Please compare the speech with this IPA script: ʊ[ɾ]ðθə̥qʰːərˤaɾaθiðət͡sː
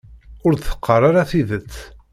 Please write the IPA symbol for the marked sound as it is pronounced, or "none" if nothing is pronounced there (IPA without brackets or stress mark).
ɾ